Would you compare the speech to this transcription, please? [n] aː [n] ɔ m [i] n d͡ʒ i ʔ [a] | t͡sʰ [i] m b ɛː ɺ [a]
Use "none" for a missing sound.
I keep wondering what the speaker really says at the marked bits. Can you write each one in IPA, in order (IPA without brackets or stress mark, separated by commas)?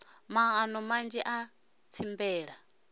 m, n, a, a, i, a